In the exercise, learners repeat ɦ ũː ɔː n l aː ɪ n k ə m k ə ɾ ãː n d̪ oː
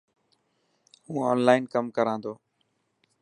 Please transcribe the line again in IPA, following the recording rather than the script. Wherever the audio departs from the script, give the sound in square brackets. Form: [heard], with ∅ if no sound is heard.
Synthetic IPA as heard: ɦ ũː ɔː n l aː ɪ n k ə m k ə ɾ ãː n d̪ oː

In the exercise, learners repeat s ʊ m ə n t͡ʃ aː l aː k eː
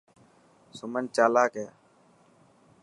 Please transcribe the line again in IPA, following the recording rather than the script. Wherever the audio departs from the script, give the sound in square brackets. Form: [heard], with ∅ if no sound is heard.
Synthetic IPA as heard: s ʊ m ə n t͡ʃ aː l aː k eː

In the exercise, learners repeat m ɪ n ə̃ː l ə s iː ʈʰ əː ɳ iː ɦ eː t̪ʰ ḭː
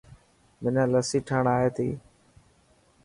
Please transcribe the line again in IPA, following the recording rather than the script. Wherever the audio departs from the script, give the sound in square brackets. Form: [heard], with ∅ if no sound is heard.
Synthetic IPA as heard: m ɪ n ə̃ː l ə s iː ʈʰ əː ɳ [aː] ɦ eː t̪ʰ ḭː

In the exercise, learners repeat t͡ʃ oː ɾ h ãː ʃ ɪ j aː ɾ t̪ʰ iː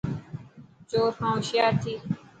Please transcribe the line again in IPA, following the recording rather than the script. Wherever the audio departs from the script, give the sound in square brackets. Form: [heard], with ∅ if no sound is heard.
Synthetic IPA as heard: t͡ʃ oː ɾ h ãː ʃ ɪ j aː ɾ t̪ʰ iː

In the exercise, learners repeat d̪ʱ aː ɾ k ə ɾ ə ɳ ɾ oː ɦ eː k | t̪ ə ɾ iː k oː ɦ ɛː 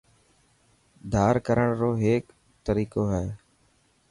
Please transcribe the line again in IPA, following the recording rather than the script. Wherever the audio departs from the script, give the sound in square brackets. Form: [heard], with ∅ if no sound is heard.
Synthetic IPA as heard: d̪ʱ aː ɾ k ə ɾ ə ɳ ɾ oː ɦ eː k | t̪ ə ɾ iː k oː ɦ ɛː

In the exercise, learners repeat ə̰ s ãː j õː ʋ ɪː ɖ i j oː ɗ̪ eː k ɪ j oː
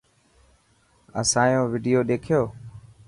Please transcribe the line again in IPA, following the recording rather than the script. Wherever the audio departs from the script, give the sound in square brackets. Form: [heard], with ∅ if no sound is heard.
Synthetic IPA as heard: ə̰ s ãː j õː ʋ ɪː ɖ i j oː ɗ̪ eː [kʰ] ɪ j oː

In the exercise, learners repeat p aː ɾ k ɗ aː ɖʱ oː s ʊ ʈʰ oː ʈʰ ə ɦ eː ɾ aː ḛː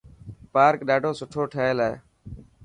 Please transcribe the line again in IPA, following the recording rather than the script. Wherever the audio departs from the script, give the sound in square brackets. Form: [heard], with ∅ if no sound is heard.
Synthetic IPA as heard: p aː ɾ k ɗ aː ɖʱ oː s ʊ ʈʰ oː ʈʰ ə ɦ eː [l] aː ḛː

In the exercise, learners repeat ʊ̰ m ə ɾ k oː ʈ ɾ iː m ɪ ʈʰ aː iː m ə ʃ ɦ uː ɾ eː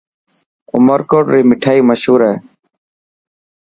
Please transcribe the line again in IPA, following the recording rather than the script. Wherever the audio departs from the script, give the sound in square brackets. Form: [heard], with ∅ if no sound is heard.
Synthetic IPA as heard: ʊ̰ m ə ɾ k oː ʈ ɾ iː m ɪ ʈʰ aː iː m ə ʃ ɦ uː ɾ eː

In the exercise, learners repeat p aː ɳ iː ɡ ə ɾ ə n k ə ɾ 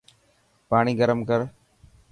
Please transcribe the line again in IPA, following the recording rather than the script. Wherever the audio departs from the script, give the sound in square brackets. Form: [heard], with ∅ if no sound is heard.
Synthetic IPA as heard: p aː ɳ iː ɡ ə ɾ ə [m] k ə ɾ

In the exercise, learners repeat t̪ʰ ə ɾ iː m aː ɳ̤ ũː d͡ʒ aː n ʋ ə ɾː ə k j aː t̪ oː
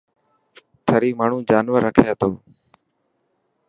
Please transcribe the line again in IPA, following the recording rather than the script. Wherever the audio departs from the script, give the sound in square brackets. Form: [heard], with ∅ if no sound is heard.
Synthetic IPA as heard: t̪ʰ ə ɾ iː m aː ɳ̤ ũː d͡ʒ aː n ʋ ə ɾː ə [kʰ] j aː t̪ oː

